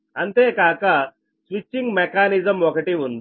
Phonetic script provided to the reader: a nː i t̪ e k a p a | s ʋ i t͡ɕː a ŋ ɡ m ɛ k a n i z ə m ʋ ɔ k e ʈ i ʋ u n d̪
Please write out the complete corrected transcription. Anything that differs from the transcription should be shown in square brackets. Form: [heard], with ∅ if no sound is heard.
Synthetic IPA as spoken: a [n] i t̪ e k a [k] a | s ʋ i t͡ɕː [i] ŋ ɡ m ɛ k a n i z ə m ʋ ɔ k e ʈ i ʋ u n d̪